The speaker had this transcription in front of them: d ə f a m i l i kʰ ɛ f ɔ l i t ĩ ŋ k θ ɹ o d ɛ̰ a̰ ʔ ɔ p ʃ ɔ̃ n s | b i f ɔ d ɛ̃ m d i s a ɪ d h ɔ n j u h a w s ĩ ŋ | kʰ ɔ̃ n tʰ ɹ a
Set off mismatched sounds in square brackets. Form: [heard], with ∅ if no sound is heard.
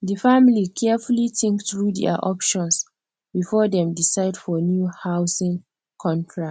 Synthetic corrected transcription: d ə f a m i l i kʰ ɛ f [u] l i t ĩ ŋ k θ ɹ [u] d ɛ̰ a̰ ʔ ɔ p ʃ ɔ̃ n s | b i f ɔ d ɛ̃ m d i s a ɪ d [f] ɔ n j u h a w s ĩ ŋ | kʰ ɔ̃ n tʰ ɹ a

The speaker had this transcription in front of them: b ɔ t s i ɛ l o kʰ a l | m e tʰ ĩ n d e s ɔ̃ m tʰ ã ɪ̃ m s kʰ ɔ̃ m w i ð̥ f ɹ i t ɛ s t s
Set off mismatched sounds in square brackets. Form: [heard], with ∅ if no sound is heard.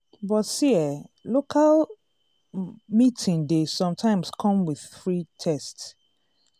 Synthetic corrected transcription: b ɔ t s i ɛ l o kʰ a l | m [i] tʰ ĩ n d e s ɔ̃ m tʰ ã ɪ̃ m s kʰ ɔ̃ m w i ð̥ f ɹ i [tʰ] ɛ s t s

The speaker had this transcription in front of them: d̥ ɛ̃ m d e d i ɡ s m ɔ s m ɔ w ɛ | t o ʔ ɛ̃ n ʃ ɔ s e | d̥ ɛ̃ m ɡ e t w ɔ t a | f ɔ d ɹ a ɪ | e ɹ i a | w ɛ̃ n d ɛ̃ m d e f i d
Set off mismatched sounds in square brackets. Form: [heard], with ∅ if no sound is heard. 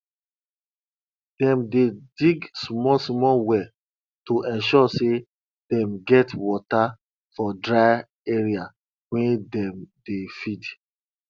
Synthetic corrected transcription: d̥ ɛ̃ m d e d i ɡ s m ɔ s m ɔ w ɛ | t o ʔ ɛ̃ n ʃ ɔ s e | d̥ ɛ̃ m ɡ [ɛ] t w ɔ t a | f ɔ d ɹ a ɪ | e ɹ i a | w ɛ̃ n d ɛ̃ m d e f i d

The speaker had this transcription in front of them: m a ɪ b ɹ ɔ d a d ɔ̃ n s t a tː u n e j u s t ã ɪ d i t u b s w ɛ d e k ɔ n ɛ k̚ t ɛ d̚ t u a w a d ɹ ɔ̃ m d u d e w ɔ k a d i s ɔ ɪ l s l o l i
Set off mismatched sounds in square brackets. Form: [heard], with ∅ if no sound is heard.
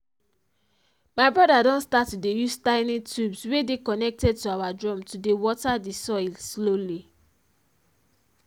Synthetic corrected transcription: m a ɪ b ɹ ɔ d a d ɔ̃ n s t a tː u [d] e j u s t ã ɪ [n] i t u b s w [e] d e k ɔ n ɛ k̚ t ɛ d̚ t u a w a d ɹ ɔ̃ m [t] u d e w ɔ [t] a d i s ɔ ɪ l s l o l i

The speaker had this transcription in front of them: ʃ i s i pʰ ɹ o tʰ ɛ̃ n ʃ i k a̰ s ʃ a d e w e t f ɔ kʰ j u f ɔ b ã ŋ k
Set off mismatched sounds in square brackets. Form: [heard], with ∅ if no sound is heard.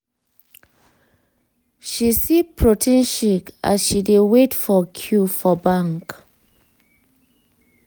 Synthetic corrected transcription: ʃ i s i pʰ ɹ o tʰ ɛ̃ n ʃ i k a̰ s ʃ [i] d e w e t f ɔ kʰ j u f ɔ b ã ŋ k

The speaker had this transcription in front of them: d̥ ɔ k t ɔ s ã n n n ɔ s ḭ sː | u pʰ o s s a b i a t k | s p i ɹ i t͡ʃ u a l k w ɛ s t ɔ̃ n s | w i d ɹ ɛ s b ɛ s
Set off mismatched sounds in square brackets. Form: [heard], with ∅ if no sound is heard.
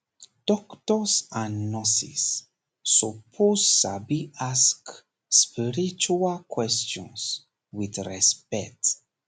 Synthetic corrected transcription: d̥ ɔ k t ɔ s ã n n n ɔ s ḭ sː | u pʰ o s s a b i a [s] k | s p i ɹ i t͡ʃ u a l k w ɛ s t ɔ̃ n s | w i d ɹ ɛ s [p] ɛ [t]

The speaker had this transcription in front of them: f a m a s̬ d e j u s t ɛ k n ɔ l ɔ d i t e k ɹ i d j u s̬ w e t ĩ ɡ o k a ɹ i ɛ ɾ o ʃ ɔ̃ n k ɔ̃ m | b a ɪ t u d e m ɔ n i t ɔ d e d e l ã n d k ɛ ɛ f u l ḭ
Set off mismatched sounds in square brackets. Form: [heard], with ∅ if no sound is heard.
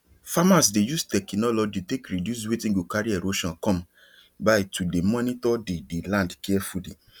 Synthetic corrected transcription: f a m a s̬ d e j u s t ɛ k n ɔ l ɔ [d͡ʒ] i t e k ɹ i d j u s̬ w e t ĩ ɡ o k a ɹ i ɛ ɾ o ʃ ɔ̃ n k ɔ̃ m | b a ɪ t u d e m ɔ n i t ɔ d e d e l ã n d k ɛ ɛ f u l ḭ

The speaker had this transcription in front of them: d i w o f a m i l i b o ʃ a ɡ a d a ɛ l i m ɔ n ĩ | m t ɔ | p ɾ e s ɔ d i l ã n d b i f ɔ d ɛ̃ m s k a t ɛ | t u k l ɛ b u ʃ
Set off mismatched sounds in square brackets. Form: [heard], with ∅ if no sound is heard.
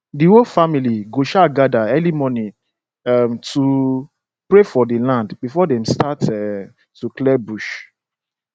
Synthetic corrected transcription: d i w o f a m i l i [ɡ] o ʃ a ɡ a d a ɛ l i m ɔ n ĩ | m t [u] | p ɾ e [f] ɔ d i l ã n d b i f ɔ d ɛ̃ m s [t] a t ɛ | t u k l ɛ b u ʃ

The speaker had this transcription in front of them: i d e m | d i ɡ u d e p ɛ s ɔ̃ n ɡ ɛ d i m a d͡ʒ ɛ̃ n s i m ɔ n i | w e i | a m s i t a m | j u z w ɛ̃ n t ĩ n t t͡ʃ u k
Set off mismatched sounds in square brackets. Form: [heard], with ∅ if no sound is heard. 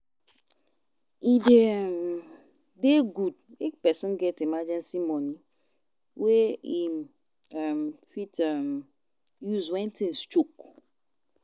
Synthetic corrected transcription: i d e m | d [e] ɡ u d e p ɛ s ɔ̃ n ɡ ɛ [t] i m a d͡ʒ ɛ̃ n s i m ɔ n i | w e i | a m [f] i t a m | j u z w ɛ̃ n t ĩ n [s] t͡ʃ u k

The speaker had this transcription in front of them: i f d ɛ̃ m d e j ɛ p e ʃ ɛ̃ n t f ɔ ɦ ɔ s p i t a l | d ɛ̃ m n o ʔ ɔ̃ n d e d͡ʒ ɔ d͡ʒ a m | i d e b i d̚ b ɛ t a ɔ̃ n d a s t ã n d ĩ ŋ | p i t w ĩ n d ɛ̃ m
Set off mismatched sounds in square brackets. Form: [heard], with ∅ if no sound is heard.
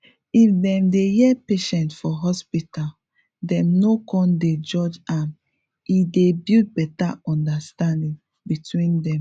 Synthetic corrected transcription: i f d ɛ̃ m d e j ɛ p e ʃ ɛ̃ n t f ɔ ɦ ɔ s p i t a l | d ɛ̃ m n o [k] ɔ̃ n d e d͡ʒ ɔ d͡ʒ a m | i d e b i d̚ b ɛ t a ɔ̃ n d a s t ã n d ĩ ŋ | [b] i t w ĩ n d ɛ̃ m

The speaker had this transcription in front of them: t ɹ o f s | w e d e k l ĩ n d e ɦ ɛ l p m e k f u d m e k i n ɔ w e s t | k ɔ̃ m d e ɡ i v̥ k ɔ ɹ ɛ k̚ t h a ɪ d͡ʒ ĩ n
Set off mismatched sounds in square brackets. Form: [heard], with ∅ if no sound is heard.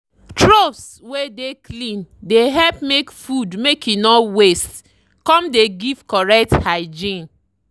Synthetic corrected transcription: t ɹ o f s | w e d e k l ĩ n d e ɦ ɛ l p m e k f u d m e k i n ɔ w e s t | k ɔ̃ m d e ɡ i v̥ k ɔ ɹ ɛ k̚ t h a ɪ d͡ʒ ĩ n

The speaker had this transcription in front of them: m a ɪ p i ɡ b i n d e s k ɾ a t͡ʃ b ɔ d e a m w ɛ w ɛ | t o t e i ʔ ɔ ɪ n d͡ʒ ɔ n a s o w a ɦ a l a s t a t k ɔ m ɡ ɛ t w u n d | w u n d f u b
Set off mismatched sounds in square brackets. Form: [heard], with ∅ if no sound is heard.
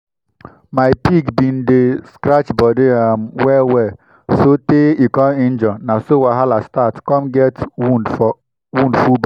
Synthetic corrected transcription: m a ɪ p i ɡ b i n d e s k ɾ a t͡ʃ b ɔ d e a m w ɛ w ɛ | [s] o t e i [k] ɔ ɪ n d͡ʒ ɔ n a s o w a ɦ a l a s t a t k ɔ m ɡ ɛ t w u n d | w u n d f u b

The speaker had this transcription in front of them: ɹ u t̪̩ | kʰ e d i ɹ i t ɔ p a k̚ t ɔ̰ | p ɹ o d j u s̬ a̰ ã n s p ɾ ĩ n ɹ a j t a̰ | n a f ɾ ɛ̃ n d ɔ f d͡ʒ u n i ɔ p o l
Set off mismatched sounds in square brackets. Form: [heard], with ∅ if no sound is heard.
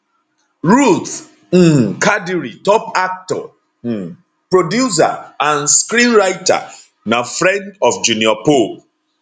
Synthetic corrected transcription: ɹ u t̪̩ | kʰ [a] d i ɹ i t ɔ p a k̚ t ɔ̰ | p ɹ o d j u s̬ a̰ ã n s [k] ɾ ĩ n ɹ a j t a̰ | n a f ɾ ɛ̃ n d ɔ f d͡ʒ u n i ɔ p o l

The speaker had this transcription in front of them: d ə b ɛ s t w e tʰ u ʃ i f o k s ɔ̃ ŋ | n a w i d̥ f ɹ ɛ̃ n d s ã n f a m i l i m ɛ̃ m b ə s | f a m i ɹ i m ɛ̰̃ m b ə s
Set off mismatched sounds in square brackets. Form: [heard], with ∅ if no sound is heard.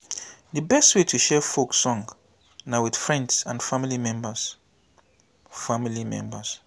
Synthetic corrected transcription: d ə b ɛ s t w e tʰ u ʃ [ɛ] f o k s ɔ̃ ŋ | n a w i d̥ f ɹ ɛ̃ n d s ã n f a m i l i m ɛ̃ m b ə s | f a m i [l] i m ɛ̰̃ m b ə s

